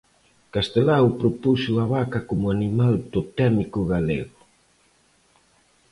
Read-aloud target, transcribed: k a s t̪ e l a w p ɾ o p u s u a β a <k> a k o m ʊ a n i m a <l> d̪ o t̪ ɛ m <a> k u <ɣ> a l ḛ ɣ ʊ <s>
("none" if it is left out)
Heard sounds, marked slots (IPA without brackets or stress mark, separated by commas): k, l, i, ɣ, none